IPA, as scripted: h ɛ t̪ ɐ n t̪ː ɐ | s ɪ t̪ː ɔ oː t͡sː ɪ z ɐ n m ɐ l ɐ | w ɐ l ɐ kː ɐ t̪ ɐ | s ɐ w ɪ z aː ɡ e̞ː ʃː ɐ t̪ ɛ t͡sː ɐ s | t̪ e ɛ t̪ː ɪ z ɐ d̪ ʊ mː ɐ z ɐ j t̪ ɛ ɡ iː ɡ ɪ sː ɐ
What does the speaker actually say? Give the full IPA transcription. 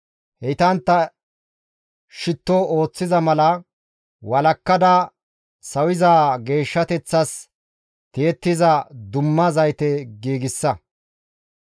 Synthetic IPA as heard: h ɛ t̪ ɐ n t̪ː ɐ | ʃ ɪ t̪ː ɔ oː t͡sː ɪ z ɐ m ɐ l ɐ | w ɐ l ɐ kː ɐ d̪ ɐ | s ɐ w ɪ z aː ɡ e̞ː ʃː ɐ t̪ ɛ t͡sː ɐ s | t̪ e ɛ t̪ː ɪ z ɐ d̪ ʊ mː ɐ z ɐ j t̪ ɛ ɡ iː ɡ ɪ sː ɐ